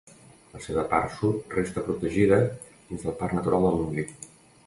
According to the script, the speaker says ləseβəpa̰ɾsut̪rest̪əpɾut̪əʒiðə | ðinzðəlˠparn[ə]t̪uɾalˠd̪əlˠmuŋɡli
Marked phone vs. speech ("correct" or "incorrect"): correct